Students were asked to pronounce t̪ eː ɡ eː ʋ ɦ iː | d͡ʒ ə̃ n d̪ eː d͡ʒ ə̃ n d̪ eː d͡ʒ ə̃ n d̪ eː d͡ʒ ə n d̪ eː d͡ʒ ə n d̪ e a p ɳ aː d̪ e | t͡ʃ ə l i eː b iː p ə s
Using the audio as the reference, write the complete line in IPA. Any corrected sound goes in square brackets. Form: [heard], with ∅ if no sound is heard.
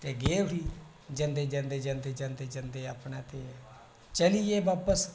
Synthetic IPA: t̪ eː ɡ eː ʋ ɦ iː | d͡ʒ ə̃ n d̪ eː d͡ʒ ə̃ n d̪ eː d͡ʒ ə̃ n d̪ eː d͡ʒ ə n d̪ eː d͡ʒ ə n d̪ e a p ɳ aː [t̪] e | t͡ʃ ə l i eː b [aː] p ə s

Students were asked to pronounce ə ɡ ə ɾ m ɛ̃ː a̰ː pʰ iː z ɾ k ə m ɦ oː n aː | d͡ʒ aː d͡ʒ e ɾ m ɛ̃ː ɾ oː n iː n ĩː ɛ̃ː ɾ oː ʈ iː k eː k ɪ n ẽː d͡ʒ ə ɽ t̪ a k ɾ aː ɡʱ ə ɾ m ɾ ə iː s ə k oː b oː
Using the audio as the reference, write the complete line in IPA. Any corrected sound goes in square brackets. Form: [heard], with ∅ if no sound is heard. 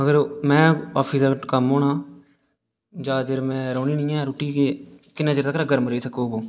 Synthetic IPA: ə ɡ ə ɾ m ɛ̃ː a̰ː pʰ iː [s] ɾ k ə m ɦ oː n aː | d͡ʒ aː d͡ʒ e ɾ m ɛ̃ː ɾ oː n iː n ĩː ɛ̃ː ɾ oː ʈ iː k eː k ɪ n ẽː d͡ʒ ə [ɾ] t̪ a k ɾ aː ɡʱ ə ɾ m ɾ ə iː s ə k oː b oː

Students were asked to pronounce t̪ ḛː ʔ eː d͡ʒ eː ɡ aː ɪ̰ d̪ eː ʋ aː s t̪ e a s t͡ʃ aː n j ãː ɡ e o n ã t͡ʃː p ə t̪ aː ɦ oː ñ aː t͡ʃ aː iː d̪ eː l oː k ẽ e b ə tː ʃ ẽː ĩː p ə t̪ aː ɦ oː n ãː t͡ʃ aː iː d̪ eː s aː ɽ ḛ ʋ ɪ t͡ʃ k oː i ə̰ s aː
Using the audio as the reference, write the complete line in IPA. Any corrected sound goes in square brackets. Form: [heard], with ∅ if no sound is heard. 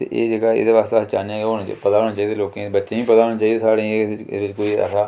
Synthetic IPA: t̪ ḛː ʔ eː d͡ʒ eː ɡ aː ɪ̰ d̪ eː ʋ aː s t̪ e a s t͡ʃ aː n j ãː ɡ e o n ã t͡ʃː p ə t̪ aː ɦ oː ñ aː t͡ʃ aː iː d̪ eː l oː k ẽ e b ə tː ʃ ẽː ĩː p ə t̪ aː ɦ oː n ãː t͡ʃ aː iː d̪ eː s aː ɽ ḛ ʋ ɪ t͡ʃ k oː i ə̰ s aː

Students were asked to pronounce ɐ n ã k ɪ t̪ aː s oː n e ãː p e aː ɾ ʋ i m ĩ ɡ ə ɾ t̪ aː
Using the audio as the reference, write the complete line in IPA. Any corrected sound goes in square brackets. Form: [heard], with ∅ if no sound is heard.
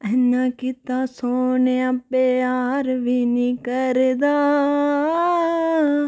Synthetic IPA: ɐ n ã k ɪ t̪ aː s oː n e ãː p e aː ɾ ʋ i [n] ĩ [k] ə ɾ [d̪] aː

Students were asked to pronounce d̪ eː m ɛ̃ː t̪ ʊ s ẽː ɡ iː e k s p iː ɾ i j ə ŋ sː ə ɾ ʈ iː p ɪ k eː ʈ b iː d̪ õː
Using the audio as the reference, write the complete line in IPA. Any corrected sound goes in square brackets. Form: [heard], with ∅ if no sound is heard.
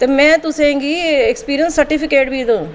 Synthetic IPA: [t̪] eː m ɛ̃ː t̪ ʊ s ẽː ɡ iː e k s p iː ɾ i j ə [n] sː ə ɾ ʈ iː p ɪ k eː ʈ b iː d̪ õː

